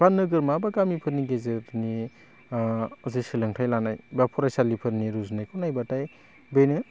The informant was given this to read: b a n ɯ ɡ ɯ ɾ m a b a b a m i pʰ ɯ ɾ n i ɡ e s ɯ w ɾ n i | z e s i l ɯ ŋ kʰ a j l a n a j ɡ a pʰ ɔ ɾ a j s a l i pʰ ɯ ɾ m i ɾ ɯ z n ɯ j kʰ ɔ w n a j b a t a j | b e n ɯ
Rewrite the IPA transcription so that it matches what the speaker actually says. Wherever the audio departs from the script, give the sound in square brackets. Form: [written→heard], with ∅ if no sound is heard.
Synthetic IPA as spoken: b a n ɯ ɡ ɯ ɾ m a b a [b→ɡ] a m i pʰ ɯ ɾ n i ɡ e [s→z] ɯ [w→∅] ɾ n i | z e s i l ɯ ŋ [kʰ→tʰ] a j l a n a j [ɡ→b] a pʰ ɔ ɾ a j s a l i pʰ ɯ ɾ [m→n] i ɾ [ɯ→u] z n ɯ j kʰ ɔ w n a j b a t a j | b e n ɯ